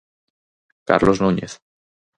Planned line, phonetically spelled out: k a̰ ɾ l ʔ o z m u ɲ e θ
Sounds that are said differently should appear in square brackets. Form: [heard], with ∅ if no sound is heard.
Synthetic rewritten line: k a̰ ɾ l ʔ o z [n] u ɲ e θ